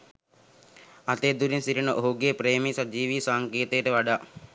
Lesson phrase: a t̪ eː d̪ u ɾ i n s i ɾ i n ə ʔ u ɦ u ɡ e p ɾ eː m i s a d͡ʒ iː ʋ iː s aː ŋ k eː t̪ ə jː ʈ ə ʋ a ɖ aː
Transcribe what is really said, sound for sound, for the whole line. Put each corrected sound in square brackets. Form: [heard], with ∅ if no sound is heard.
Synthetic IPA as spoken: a t̪ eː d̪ u ɾ i n s i ɾ i n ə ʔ [o] ɦ u ɡ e p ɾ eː m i s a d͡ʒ iː ʋ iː s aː ŋ k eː t̪ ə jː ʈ ə ʋ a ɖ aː

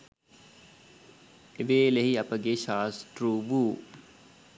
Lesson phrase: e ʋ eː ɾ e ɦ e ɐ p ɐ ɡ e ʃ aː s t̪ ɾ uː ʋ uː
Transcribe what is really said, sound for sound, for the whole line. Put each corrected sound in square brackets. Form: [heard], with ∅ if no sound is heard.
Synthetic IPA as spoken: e ʋ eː [l] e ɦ [i] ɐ p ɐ ɡ e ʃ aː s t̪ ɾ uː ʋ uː

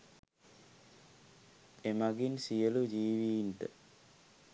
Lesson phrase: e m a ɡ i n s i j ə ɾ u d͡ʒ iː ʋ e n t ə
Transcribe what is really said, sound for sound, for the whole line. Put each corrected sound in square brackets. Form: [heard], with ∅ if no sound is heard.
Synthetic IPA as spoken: e m a ɡ i n s i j ə [l] u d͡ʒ iː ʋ [i] n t ə

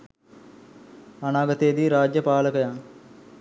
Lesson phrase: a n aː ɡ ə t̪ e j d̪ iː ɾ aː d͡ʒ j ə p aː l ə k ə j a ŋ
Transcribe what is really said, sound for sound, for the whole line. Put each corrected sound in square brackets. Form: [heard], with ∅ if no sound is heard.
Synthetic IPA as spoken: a n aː ɡ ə t̪ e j d̪ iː ɾ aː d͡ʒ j ə p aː l ə k ə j a ŋ

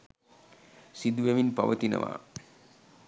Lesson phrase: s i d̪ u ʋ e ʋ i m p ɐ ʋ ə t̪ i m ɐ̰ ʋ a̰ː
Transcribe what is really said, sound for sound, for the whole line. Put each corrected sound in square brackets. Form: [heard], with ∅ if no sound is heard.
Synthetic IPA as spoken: s i d̪ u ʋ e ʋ i [n] p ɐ ʋ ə t̪ i [n] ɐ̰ ʋ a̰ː

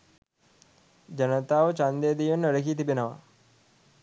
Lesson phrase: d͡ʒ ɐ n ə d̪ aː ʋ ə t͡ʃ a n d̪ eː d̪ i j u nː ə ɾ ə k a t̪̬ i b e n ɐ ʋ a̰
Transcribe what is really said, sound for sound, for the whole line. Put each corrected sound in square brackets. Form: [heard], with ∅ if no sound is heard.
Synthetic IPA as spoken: d͡ʒ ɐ n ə [t̪] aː ʋ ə t͡ʃ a n d̪ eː d̪ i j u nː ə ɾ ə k [i] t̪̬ i b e n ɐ ʋ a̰

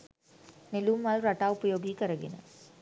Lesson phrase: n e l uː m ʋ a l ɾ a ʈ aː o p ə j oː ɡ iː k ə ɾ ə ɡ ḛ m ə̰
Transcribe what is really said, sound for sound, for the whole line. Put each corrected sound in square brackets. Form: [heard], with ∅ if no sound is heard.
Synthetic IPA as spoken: n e l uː m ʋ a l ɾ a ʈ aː [u] p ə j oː ɡ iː k ə ɾ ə ɡ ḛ [n] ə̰

